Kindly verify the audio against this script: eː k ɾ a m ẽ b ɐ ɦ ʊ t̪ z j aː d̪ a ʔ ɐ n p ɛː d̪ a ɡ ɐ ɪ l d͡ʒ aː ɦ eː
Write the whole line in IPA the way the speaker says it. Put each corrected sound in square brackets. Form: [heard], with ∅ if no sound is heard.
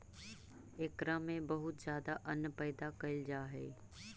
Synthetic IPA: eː k ɾ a m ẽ b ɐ ɦ ʊ t̪ z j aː d̪ a ʔ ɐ n p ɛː d̪ a [k] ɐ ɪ l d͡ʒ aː ɦ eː